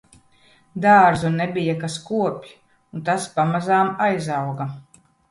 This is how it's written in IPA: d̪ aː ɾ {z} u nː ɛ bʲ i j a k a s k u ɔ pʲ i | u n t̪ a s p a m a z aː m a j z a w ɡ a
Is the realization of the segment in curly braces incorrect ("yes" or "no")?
no